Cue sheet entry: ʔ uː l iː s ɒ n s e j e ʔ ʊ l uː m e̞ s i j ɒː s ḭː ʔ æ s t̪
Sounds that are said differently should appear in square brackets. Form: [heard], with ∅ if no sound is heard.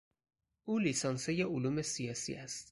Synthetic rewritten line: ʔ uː l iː s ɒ n s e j e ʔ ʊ l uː m e̞ s i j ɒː s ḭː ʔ æ s t̪

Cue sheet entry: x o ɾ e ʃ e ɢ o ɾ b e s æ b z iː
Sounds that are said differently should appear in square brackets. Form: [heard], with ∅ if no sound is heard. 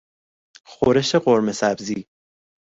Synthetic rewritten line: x o ɾ e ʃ e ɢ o ɾ [m] e s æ b z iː

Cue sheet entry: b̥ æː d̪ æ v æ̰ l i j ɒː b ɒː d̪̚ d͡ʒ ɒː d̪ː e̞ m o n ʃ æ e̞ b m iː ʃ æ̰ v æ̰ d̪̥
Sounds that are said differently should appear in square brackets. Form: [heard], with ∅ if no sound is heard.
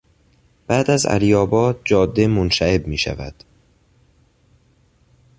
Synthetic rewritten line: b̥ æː d̪ æ [z] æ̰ l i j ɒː b ɒː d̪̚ d͡ʒ ɒː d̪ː e̞ m o n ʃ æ e̞ b m iː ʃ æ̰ v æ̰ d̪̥

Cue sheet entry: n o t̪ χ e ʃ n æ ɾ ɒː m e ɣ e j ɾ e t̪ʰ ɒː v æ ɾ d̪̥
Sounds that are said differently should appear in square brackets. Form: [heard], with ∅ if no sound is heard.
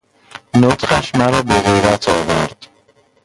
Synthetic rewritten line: n o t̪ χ [æ] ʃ [m] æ ɾ ɒː [b] e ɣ e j ɾ [æ] t̪ʰ ɒː v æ ɾ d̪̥

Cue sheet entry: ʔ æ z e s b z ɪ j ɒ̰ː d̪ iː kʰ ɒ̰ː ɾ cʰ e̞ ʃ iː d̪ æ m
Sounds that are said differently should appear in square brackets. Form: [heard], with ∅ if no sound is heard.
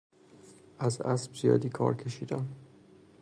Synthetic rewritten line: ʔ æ z [æ] s b z [i] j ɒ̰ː d̪ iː kʰ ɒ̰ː ɾ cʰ e̞ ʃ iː d̪ æ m

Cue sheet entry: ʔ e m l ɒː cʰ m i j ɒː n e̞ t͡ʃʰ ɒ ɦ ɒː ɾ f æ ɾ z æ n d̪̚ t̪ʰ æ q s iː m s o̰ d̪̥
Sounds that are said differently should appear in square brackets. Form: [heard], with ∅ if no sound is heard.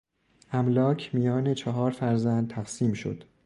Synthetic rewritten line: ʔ [æ] m l ɒː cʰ m i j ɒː n e̞ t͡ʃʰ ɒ ɦ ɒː ɾ f æ ɾ z æ n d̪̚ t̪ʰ æ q s iː m [ʃ] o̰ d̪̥

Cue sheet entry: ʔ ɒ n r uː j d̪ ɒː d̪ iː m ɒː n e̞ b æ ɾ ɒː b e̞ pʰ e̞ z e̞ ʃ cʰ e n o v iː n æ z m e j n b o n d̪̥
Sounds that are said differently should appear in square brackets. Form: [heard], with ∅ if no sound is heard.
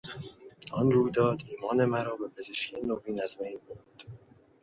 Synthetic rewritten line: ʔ ɒ n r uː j d̪ ɒː d̪ iː m ɒː n e̞ [m] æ ɾ ɒː b e̞ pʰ e̞ z e̞ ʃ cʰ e n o v iː n æ z m e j n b o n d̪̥

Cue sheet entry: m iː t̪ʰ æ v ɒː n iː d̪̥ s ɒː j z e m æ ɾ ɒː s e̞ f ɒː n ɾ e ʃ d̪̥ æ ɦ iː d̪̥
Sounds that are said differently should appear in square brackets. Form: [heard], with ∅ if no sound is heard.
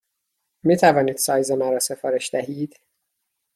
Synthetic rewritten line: m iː t̪ʰ æ v ɒː n iː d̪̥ s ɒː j z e m æ ɾ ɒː s e̞ f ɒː [∅] ɾ e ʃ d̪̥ æ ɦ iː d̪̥

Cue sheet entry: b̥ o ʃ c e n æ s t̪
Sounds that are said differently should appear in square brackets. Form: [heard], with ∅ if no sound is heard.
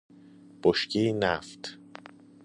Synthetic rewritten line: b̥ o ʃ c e n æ [f] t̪

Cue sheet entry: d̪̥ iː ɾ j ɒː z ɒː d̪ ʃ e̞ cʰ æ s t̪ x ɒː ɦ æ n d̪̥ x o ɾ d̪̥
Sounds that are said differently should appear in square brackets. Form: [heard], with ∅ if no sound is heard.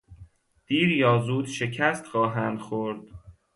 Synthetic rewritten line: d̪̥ iː ɾ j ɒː z [uː] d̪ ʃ e̞ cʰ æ s t̪ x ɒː ɦ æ n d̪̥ x o ɾ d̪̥

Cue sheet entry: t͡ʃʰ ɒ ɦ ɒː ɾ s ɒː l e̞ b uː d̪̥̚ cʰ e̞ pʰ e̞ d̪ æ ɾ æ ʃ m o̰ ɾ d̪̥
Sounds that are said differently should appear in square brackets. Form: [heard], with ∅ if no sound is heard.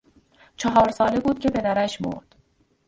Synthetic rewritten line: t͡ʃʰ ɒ ɦ ɒː ɾ s ɒː l e̞ b uː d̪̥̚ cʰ e̞ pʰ e̞ d̪ æ ɾ æ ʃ m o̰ ɾ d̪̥

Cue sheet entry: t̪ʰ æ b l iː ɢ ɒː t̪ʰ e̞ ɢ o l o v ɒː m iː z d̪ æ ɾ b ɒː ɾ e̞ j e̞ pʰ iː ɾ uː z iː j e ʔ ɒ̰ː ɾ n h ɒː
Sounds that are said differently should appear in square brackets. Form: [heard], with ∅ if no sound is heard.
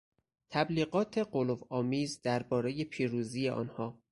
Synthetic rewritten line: t̪ʰ æ b l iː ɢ ɒː t̪ʰ e̞ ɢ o l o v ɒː m iː z d̪ æ ɾ b ɒː ɾ e̞ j e̞ pʰ iː ɾ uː z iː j e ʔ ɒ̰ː [∅] n h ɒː

